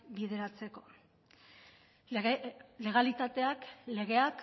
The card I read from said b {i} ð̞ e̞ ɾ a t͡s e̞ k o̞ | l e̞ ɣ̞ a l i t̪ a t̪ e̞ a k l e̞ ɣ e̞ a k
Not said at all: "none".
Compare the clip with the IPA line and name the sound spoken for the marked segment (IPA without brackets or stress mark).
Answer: i